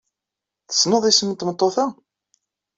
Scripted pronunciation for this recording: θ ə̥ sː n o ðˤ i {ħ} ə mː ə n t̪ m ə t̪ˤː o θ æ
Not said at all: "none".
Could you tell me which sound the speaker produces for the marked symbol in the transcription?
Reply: s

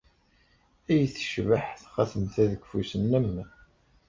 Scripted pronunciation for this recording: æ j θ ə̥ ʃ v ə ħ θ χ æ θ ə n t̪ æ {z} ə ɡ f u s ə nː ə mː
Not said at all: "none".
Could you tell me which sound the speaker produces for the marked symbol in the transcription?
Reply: ð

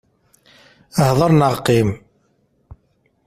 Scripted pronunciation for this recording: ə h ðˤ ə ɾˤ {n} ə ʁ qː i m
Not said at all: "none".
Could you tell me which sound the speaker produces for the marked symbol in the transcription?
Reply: n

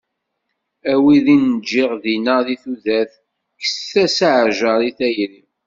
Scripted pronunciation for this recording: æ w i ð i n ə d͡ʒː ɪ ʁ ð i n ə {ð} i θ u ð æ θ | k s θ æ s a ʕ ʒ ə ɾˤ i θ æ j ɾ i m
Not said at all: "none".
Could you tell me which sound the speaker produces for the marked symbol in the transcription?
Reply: ð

